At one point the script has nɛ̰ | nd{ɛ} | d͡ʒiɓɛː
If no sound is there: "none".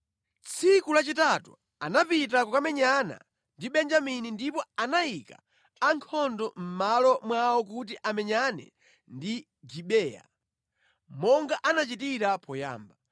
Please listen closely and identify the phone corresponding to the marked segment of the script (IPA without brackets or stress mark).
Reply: i